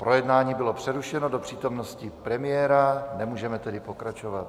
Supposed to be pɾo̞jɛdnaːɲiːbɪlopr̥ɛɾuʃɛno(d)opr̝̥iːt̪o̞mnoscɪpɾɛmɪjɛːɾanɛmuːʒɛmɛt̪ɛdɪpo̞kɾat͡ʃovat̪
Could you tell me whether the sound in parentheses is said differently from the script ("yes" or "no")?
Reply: no